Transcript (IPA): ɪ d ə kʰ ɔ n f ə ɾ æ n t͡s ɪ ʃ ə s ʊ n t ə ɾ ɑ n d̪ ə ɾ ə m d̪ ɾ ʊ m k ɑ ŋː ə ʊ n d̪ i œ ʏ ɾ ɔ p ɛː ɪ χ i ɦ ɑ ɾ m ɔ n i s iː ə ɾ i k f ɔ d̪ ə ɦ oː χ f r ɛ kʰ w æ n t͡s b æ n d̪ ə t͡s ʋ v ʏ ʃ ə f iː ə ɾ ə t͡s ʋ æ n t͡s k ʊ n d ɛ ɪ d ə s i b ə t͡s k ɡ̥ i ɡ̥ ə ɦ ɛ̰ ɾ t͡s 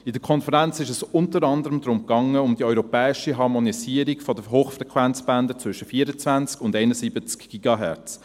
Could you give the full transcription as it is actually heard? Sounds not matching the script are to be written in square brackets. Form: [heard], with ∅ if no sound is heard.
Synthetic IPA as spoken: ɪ d ə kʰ ɔ n f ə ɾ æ n t͡s ɪ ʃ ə s ʊ n t ə ɾ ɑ n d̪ ə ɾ ə m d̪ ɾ ʊ m k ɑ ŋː ə ʊ [m] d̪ i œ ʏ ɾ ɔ p ɛː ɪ [ʃ] i ɦ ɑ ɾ m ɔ n i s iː ə ɾ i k f ɔ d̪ ə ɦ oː χ f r ɛ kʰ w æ n t͡s b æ n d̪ ə t͡s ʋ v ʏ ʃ ə f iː ə ɾ ə t͡s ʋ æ n t͡s k ʊ n d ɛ ɪ [n] ə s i b ə t͡s k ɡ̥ i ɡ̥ [ɑ] ɦ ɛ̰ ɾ t͡s